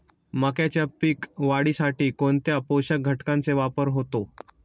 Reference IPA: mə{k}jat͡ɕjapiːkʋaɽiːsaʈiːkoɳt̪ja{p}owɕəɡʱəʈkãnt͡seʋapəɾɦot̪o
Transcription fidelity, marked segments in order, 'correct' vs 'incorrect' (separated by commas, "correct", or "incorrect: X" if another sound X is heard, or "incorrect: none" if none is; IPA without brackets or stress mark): correct, correct